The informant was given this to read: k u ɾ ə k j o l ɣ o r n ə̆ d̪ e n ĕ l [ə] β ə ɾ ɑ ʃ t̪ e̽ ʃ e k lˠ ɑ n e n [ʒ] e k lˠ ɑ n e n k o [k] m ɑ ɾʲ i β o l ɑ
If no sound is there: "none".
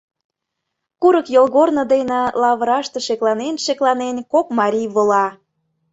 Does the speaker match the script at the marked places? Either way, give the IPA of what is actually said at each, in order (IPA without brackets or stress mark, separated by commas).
ɑ, ʃ, k